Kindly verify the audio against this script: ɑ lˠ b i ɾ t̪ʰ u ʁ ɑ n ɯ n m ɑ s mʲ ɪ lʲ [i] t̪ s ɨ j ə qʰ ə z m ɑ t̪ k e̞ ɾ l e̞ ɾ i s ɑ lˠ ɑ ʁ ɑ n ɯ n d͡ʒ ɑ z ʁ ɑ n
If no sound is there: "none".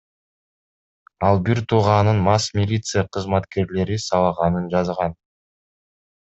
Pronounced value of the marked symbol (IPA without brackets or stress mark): i